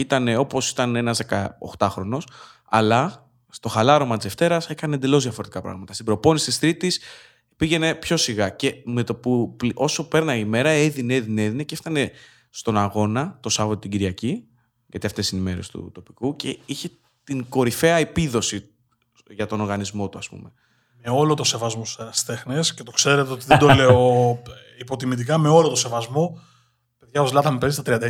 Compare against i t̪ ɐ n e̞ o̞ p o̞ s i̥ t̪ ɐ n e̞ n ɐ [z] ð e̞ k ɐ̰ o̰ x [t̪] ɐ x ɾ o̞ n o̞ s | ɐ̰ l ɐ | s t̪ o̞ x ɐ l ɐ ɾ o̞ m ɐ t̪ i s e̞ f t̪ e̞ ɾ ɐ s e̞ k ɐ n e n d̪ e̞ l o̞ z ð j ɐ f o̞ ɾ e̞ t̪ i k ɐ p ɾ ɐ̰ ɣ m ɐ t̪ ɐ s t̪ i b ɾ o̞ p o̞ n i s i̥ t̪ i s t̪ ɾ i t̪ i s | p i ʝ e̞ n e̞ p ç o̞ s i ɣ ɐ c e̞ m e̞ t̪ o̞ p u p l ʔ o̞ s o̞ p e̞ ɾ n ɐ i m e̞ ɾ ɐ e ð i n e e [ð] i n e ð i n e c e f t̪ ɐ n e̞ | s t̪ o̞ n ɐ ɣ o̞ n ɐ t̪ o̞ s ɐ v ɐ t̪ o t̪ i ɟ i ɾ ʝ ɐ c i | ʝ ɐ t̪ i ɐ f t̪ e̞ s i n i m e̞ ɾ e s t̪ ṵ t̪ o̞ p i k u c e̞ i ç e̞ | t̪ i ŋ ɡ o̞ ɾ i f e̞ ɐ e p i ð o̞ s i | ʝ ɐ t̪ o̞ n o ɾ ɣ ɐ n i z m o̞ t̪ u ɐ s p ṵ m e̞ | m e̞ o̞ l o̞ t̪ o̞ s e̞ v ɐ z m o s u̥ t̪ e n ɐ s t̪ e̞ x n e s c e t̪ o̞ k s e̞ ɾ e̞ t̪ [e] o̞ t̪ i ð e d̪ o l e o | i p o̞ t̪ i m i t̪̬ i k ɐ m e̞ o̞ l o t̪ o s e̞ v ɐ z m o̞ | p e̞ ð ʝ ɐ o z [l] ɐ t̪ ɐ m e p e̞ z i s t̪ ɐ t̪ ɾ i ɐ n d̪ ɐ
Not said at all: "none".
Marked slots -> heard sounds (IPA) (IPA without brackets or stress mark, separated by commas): z, t̪, ð, e, l